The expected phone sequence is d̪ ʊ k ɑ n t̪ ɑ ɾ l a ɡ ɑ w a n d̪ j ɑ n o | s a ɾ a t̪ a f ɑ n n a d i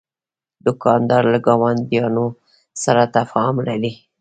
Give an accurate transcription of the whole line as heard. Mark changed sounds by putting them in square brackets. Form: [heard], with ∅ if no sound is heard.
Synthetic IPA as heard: d̪ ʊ k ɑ n [d̪] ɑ ɾ l a ɡ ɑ w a n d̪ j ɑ n o | s a ɾ a t̪ a f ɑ [m] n a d i